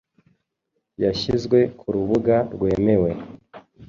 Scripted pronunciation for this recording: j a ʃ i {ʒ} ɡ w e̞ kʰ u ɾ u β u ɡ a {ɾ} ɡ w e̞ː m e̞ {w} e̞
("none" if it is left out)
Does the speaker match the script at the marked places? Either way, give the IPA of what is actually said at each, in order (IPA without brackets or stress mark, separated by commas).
z, ɾ, w